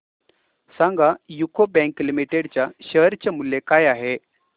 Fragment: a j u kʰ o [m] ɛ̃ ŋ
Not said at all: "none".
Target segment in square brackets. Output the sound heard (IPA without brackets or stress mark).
b